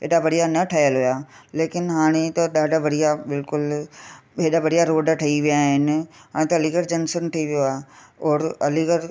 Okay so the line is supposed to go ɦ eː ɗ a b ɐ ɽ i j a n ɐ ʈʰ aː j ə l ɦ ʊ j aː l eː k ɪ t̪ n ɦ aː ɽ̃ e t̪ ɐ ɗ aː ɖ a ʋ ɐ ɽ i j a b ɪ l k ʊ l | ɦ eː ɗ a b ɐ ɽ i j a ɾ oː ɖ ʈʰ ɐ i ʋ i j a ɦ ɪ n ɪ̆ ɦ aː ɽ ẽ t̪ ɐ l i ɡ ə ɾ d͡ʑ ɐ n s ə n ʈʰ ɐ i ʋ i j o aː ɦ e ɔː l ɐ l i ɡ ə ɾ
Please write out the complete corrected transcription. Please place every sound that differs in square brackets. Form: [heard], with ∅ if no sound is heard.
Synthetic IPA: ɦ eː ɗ a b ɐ ɽ i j a n ɐ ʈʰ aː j ə l ɦ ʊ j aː l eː k ɪ [∅] n ɦ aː ɽ̃ e t̪ ɐ ɗ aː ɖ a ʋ ɐ ɽ i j a b ɪ l k ʊ l | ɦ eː ɗ a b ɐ ɽ i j a ɾ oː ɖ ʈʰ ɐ i ʋ i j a ɦ ɪ n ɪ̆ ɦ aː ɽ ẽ t̪ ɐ l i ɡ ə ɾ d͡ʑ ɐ n s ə n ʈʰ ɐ i ʋ i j o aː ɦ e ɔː [ɾ] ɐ l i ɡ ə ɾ

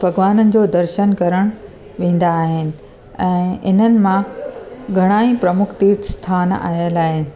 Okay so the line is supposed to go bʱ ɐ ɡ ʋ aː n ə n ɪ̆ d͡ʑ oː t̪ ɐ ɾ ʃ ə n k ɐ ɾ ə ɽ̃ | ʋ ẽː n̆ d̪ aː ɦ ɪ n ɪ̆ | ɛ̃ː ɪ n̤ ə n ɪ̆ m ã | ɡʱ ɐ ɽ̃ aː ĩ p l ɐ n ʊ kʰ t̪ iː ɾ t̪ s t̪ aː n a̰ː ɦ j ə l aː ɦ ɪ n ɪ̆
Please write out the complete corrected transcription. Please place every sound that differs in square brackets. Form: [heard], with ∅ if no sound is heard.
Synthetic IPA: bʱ ɐ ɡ ʋ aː n ə n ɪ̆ d͡ʑ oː [d̪] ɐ ɾ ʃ ə n k ɐ ɾ ə ɽ̃ | ʋ ẽː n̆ d̪ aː ɦ ɪ n ɪ̆ | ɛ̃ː ɪ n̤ ə n ɪ̆ m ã | ɡʱ ɐ ɽ̃ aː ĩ p [ɾ] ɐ [m] ʊ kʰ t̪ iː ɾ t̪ s [t̪ʰ] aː n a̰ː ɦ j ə l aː ɦ ɪ n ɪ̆

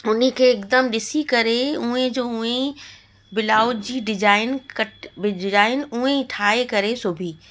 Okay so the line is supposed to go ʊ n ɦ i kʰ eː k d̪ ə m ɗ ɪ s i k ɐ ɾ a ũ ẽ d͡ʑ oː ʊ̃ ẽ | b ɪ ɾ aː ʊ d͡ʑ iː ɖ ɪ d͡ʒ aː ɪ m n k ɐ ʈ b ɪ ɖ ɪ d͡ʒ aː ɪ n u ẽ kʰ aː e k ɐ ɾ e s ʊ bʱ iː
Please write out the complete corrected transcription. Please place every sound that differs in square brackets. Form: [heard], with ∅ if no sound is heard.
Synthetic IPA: ʊ n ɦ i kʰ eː k d̪ ə m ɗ ɪ s i k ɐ ɾ [e] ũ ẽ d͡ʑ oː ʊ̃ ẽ | b ɪ [l] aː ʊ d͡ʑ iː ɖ ɪ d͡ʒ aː ɪ [∅] n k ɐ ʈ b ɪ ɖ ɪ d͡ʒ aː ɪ n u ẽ [ʈʰ] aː e k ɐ ɾ e s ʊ bʱ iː

